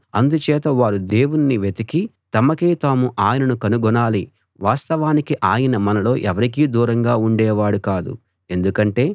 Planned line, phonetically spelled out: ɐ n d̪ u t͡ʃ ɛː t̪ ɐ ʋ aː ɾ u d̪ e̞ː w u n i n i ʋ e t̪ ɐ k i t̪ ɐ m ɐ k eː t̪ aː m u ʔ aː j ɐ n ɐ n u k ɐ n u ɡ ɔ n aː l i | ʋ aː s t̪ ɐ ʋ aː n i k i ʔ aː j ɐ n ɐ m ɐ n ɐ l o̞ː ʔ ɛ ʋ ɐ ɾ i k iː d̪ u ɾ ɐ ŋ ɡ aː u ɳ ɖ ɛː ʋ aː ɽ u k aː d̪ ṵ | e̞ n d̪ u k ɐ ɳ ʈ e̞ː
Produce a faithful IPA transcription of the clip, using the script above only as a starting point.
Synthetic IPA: ɐ n d̪ u t͡ʃ ɛː t̪ ɐ ʋ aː ɾ u d̪ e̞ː w u n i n i ʋ e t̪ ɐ k i t̪ ɐ m ɐ k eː t̪ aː m u ʔ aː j ɐ n ɐ n u k ɐ n u ɡ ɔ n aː l i | ʋ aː s t̪ ɐ ʋ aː n i k i ʔ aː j ɐ n ɐ m ɐ n ɐ l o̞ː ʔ ɛ ʋ ɐ ɾ i k iː d̪ uː ɾ ɐ ŋ ɡ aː u ɳ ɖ ɛː ʋ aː ɽ u k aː d̪ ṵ | e̞ n d̪ u k ɐ ɳ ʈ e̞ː